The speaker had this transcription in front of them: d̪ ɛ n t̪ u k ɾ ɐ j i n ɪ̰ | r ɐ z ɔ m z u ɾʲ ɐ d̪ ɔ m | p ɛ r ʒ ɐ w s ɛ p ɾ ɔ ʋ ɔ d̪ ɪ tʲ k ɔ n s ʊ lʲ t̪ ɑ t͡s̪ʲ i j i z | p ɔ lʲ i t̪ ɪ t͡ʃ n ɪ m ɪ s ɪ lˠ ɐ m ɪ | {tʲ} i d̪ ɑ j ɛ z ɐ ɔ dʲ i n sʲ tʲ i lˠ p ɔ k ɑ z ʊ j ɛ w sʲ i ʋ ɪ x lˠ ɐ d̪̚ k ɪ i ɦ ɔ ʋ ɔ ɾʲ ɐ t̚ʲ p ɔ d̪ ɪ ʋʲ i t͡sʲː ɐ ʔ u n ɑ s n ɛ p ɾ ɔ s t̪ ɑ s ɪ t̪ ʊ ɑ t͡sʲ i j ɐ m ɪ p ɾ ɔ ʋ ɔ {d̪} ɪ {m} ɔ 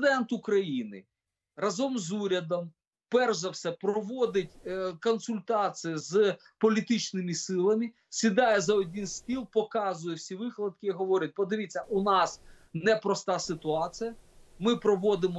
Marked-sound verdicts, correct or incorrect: incorrect, correct, correct

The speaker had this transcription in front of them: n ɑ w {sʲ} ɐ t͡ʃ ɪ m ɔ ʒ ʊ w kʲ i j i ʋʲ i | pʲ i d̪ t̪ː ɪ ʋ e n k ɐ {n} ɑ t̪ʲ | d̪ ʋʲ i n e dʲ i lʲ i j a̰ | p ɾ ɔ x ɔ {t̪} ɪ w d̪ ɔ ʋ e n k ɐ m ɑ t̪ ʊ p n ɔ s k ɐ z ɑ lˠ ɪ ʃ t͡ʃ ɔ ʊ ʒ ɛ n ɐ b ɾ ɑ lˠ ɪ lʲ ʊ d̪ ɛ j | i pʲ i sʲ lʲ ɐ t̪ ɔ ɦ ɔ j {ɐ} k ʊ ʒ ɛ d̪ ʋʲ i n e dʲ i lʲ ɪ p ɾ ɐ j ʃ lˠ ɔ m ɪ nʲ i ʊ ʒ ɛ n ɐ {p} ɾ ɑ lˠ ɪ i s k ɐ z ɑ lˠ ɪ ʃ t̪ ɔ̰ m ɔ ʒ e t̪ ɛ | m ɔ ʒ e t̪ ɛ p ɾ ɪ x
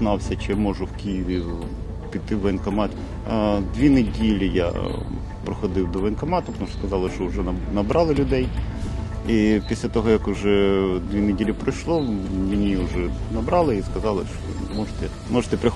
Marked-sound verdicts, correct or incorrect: correct, incorrect, incorrect, correct, incorrect

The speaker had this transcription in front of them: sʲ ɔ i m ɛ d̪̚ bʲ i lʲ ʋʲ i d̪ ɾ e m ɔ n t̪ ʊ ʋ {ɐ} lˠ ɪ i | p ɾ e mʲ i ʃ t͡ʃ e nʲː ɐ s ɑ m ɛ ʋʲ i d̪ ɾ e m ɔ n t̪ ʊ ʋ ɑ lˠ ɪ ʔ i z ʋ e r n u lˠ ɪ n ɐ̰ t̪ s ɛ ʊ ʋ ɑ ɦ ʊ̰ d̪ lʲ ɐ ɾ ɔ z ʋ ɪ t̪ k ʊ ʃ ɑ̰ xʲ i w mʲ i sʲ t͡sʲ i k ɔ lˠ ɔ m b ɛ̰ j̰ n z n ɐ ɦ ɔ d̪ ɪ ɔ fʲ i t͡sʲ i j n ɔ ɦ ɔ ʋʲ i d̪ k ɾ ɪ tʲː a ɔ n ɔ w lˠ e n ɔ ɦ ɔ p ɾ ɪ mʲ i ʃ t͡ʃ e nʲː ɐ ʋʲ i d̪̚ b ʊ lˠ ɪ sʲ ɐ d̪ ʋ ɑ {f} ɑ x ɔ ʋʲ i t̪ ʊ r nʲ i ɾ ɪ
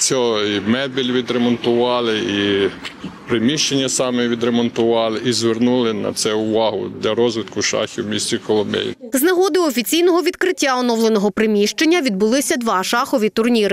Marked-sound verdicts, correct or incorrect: incorrect, incorrect

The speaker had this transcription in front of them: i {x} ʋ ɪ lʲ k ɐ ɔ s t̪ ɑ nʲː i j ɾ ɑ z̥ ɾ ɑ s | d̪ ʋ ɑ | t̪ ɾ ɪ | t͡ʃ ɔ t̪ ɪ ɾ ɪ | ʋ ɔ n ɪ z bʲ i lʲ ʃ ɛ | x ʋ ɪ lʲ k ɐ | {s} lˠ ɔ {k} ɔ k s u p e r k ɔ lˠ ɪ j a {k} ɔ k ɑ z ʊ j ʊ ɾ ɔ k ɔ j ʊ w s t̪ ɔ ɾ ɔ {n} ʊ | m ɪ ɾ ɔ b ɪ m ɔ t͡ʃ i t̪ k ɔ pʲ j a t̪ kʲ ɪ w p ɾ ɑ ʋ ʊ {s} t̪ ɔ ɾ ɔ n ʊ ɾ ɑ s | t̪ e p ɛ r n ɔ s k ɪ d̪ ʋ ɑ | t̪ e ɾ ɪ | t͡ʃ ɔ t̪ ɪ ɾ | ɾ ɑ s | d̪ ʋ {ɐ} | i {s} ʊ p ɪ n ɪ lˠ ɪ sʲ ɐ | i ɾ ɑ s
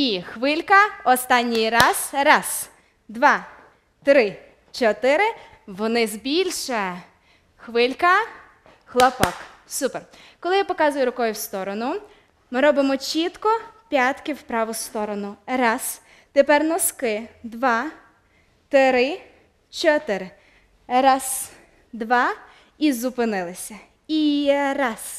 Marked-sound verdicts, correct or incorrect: correct, incorrect, incorrect, incorrect, correct, correct, incorrect, incorrect

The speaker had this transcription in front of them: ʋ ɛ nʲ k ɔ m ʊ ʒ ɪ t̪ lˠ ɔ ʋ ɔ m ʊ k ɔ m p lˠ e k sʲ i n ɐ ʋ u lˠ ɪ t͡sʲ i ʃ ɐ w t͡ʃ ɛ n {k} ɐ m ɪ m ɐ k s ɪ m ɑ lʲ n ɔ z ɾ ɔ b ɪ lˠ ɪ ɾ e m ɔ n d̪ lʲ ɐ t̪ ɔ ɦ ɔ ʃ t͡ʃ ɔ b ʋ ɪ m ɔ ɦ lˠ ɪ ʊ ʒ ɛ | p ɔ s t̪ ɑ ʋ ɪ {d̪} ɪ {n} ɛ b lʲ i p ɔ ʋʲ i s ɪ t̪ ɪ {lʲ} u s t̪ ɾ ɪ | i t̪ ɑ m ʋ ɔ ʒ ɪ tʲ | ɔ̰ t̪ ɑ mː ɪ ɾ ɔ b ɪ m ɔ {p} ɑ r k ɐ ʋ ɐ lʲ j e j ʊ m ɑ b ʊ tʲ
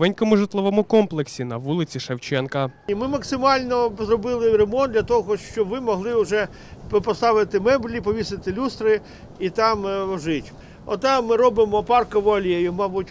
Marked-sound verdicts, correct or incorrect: correct, incorrect, incorrect, correct, correct

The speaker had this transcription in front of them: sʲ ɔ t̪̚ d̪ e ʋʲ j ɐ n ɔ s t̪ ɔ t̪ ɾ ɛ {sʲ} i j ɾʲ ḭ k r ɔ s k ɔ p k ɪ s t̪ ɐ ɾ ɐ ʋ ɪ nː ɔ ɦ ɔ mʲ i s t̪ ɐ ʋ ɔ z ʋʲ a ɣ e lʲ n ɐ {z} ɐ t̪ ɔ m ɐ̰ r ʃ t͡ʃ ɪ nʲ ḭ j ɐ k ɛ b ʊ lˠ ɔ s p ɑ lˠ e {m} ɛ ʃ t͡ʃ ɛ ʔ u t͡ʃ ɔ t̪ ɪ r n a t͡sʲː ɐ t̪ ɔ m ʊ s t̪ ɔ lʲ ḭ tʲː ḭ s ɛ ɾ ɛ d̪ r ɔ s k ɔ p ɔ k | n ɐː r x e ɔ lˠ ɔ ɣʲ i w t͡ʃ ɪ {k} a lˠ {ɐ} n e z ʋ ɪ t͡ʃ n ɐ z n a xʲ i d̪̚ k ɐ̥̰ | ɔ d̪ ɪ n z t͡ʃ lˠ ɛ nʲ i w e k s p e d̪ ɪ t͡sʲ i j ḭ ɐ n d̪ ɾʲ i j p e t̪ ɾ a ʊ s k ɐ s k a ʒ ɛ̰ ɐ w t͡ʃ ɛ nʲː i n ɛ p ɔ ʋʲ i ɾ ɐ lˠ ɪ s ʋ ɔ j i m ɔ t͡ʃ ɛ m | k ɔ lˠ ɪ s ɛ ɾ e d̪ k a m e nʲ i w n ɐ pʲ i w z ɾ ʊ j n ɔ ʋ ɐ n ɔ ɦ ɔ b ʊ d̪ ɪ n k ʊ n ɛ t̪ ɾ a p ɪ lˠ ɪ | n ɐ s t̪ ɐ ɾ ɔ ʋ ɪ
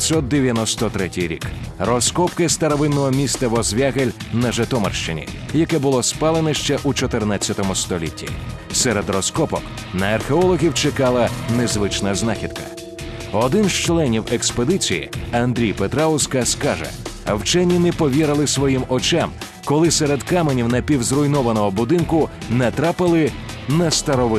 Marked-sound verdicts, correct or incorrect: incorrect, incorrect, incorrect, correct, correct

